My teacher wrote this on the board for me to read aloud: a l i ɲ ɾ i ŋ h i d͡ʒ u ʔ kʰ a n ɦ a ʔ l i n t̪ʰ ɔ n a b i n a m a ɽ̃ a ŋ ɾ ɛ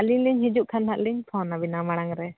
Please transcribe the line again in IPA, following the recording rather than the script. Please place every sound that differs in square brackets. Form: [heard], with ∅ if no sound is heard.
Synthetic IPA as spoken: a l i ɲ [l] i [ɲ] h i d͡ʒ u ʔ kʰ a n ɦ a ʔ l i [ɲ] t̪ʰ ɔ n a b i n a m a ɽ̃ a ŋ ɾ ɛ